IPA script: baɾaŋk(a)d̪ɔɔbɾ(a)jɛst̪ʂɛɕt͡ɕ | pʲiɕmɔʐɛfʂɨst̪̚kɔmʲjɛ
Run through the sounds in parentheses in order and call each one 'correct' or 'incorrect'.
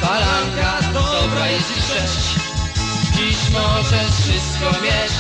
correct, correct

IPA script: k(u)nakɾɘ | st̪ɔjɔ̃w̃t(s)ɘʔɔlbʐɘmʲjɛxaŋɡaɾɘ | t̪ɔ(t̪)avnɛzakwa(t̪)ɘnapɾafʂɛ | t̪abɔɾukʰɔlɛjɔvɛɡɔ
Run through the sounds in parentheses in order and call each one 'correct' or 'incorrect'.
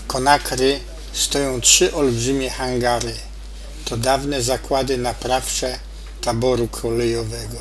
incorrect: ɔ, incorrect: ʂ, incorrect: d̪, incorrect: d̪

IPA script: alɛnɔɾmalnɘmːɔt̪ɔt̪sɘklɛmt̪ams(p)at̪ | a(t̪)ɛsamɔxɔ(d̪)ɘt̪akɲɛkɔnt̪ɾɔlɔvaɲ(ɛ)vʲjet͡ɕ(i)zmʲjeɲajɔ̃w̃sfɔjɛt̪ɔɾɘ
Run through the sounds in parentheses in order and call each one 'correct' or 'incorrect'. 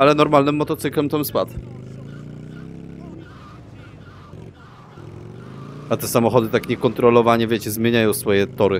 correct, correct, correct, correct, incorrect: ɛ

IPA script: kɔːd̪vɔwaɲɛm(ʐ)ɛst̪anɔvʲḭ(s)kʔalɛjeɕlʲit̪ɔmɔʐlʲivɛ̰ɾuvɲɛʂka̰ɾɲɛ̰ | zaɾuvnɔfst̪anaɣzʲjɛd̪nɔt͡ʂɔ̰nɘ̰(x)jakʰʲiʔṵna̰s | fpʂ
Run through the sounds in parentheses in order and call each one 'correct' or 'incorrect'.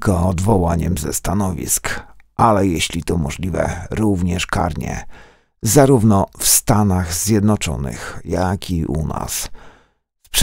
incorrect: z, correct, correct

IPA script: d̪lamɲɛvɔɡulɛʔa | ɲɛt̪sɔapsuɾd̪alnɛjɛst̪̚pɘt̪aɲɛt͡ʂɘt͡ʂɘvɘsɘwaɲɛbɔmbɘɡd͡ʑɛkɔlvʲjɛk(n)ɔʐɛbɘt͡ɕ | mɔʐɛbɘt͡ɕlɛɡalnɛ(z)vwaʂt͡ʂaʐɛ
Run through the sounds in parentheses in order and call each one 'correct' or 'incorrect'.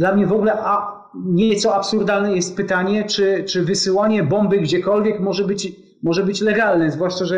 incorrect: m, correct

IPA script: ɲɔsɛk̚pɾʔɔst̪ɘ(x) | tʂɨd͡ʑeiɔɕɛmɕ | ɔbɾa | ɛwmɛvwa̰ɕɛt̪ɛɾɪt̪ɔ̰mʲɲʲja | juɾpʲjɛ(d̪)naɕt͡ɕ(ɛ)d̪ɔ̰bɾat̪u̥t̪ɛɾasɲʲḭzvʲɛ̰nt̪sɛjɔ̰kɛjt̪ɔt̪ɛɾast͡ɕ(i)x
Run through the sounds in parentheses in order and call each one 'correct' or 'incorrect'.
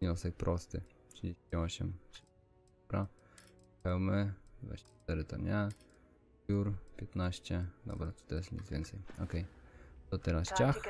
incorrect: none, incorrect: t̪, correct, incorrect: a

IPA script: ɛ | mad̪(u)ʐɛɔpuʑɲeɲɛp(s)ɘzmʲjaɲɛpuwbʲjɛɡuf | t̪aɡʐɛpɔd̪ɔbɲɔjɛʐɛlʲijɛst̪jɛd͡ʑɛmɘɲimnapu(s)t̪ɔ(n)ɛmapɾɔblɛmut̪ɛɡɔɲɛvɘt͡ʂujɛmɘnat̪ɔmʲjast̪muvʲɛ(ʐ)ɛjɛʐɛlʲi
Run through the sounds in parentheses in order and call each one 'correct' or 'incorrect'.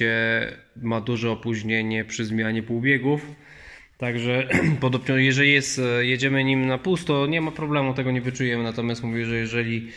correct, incorrect: ʂ, correct, incorrect: ɲ, correct

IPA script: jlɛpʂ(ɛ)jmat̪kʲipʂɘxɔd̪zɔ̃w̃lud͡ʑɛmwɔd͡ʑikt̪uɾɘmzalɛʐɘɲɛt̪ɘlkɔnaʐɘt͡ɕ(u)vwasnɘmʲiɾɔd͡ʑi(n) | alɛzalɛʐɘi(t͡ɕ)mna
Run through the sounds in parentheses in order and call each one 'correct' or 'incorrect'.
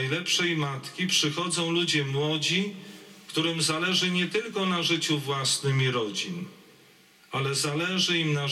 correct, correct, correct, incorrect: none

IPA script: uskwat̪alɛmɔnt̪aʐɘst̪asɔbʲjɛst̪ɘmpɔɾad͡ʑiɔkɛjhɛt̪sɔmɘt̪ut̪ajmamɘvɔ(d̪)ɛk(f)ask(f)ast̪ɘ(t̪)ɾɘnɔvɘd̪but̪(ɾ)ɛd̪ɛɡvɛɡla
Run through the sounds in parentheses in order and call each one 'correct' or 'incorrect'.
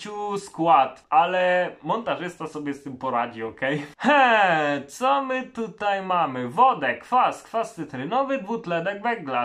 correct, correct, correct, correct, incorrect: l

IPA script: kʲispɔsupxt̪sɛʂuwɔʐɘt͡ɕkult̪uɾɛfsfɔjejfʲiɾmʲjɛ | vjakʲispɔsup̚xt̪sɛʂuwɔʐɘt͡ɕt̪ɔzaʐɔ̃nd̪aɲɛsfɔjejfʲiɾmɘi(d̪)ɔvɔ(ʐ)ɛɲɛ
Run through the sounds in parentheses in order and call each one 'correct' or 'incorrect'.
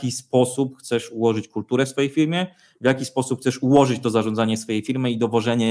correct, correct

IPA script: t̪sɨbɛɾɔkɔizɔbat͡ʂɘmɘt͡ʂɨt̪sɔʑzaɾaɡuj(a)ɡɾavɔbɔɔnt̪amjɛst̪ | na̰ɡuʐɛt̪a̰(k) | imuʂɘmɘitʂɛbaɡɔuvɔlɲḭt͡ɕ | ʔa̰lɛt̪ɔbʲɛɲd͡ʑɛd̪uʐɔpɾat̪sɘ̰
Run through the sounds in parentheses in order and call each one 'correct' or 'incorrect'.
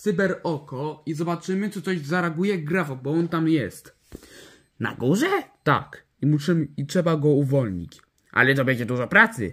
incorrect: ɛ, correct

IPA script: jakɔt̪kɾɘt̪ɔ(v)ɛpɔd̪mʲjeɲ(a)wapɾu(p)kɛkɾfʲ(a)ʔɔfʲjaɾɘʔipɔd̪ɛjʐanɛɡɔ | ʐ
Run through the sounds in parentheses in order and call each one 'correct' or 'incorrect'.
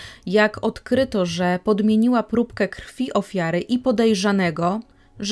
incorrect: ʐ, incorrect: i, correct, incorrect: i

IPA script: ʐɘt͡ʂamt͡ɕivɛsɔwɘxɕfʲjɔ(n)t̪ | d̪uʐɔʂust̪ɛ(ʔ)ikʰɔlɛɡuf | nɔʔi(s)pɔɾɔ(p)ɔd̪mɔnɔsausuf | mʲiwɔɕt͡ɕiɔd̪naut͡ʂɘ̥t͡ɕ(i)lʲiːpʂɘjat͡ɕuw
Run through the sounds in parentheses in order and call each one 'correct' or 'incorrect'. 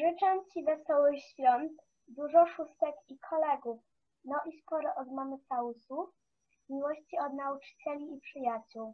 correct, incorrect: k, correct, incorrect: ʔ, incorrect: ɛ

